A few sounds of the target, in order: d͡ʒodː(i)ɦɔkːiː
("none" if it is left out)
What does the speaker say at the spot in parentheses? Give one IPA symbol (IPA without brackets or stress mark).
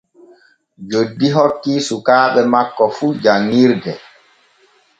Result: i